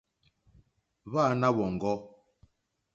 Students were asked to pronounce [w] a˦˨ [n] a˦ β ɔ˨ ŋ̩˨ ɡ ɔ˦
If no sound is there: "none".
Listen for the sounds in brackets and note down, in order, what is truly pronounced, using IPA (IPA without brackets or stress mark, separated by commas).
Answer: β, n